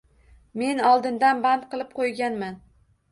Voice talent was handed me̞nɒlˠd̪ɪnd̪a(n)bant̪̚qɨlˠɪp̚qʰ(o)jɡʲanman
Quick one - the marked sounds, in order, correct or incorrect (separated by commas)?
correct, correct